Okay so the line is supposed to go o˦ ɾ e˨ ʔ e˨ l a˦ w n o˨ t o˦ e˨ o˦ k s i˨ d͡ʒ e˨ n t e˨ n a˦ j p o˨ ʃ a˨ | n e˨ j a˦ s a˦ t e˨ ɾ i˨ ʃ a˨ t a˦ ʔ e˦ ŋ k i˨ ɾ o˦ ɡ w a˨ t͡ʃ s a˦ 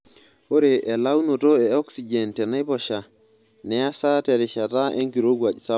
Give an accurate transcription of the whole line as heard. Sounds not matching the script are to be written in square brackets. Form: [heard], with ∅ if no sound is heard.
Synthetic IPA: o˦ ɾ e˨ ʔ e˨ l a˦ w n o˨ t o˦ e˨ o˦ k s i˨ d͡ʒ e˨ n t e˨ n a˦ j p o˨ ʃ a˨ | n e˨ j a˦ s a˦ t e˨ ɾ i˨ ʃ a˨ t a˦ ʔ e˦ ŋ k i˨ ɾ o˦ ɡ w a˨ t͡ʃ s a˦